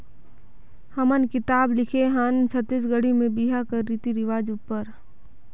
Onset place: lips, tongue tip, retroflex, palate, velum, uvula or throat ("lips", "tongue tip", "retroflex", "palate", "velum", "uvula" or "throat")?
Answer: throat